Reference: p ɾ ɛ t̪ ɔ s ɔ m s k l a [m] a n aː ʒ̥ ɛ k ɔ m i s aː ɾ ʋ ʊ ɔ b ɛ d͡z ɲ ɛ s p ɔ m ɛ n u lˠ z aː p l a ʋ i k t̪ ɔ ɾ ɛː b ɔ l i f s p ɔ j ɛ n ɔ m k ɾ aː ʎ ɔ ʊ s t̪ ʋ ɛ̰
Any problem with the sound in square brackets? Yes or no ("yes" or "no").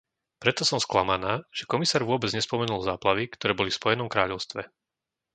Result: no